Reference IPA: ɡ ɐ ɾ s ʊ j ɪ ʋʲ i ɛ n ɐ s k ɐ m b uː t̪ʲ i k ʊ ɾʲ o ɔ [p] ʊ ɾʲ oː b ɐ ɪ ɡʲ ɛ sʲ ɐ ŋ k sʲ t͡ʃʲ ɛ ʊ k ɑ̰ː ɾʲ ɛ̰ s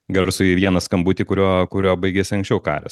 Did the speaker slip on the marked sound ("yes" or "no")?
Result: yes